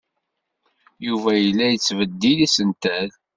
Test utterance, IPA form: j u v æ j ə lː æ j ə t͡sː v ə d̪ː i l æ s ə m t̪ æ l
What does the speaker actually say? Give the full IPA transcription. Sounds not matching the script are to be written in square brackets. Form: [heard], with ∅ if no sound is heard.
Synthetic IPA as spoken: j u v æ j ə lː æ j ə t͡sː v ə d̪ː i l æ s ə [n] t̪ æ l